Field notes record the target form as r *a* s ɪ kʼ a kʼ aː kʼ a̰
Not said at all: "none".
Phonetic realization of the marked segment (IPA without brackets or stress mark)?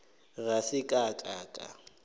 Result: a